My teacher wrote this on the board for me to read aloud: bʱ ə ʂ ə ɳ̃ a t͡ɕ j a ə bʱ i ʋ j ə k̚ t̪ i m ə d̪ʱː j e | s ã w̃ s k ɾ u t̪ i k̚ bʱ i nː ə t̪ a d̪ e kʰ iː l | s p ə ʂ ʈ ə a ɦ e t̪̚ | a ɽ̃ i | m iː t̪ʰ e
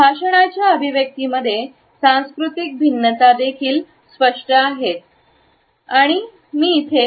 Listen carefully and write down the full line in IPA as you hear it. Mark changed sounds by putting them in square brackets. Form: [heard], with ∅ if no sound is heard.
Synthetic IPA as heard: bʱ [a] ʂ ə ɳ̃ a t͡ɕ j a ə bʱ i ʋ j ə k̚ t̪ i m ə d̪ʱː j e | s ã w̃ s k ɾ u t̪ i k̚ bʱ i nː ə t̪ a d̪ e kʰ iː l | s p ə ʂ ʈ ə a ɦ e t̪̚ | a ɽ̃ i | m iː t̪ʰ e